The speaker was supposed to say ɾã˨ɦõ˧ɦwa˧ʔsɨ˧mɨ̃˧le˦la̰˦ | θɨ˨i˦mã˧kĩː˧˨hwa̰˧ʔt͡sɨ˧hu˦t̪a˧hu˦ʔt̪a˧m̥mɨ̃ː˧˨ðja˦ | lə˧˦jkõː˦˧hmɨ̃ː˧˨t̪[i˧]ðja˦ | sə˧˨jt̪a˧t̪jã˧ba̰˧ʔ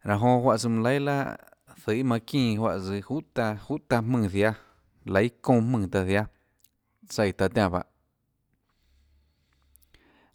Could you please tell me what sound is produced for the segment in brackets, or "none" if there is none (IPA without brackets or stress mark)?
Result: a˧